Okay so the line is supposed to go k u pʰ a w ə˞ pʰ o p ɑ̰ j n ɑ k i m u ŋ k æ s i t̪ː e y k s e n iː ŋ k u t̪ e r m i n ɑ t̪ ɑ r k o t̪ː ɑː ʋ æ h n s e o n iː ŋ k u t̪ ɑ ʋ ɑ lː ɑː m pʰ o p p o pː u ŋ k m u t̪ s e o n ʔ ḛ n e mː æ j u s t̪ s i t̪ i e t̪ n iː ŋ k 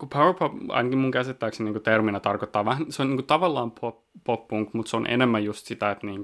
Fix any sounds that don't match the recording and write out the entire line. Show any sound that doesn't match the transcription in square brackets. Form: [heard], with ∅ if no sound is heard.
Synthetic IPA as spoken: k u pʰ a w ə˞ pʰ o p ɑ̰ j n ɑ k i m u ŋ k æ s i t̪ː [æ] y k s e n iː ŋ k u t̪ e r m i n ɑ t̪ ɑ r k o t̪ː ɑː ʋ æ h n s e o n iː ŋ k u t̪ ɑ ʋ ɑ lː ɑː m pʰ o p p o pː u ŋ k m u t̪ s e o n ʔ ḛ n e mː æ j u s t̪ s i t̪ [æ] e t̪ n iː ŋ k